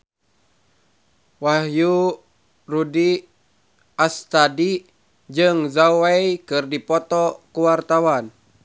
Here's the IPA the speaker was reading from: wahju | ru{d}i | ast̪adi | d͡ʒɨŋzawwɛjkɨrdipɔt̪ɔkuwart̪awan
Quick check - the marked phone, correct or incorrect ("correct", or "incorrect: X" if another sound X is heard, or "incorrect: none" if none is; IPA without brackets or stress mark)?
correct